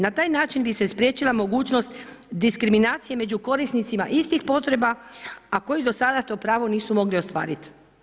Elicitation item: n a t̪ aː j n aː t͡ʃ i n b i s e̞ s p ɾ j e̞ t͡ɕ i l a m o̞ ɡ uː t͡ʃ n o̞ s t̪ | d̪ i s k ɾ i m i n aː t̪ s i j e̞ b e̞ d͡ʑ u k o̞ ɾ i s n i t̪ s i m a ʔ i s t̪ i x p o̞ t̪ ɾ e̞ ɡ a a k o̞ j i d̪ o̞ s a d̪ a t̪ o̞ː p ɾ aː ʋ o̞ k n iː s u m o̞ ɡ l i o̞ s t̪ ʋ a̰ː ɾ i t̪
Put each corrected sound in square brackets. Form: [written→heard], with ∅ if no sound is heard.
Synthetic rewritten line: n a t̪ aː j n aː t͡ʃ i n b i s e̞ s p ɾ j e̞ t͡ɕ i l a m o̞ ɡ uː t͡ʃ n o̞ s t̪ | d̪ i s k ɾ i m i n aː t̪ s i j e̞ [b→m] e̞ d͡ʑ u k o̞ ɾ i s n i t̪ s i m a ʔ i s t̪ i x p o̞ t̪ ɾ e̞ [ɡ→b] a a k o̞ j i d̪ o̞ s a d̪ a t̪ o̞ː p ɾ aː ʋ o̞ [k→∅] n iː s u m o̞ ɡ l i o̞ s t̪ ʋ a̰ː ɾ i t̪